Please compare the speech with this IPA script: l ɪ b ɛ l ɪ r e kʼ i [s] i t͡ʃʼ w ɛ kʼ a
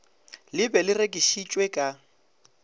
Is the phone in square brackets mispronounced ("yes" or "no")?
yes